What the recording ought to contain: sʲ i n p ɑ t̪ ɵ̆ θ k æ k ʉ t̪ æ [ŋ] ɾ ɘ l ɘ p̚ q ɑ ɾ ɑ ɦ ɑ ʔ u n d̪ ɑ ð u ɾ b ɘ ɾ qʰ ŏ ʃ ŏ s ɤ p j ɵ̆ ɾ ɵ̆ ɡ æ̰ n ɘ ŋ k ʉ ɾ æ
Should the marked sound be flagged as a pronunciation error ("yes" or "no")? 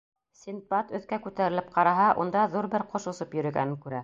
yes